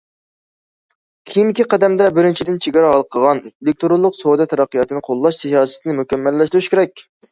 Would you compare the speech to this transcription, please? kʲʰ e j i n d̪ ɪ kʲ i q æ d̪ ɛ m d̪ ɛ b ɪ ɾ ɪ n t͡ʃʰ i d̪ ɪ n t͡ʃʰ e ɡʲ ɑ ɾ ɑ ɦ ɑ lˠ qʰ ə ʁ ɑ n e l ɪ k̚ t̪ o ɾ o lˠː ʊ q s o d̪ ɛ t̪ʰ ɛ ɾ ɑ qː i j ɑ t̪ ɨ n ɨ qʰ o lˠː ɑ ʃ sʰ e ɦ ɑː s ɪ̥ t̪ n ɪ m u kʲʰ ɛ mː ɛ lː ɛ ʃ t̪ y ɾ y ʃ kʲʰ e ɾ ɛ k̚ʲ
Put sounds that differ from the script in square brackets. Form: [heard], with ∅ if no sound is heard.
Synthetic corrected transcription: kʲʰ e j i n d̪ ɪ kʲ i q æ d̪ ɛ m d̪ ɛ b ɪ ɾ ɪ n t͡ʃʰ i d̪ ɪ n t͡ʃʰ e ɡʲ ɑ ɾ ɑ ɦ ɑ lˠ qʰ ə ʁ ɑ n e l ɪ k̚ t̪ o ɾ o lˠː ʊ q s o d̪ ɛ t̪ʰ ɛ ɾ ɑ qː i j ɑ t̪ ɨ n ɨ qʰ o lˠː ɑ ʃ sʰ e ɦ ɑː s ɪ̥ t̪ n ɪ m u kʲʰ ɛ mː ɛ lː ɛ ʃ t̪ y ɾ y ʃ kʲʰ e ɾ ɛ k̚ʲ